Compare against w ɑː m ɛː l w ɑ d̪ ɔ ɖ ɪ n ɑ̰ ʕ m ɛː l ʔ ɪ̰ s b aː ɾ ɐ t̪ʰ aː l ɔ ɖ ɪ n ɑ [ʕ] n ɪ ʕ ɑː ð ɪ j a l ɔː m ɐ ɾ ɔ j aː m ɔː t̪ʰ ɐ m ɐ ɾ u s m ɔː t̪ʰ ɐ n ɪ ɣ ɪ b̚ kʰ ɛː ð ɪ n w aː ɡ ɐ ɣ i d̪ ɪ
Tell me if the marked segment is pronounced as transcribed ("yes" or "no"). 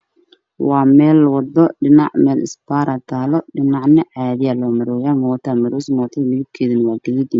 yes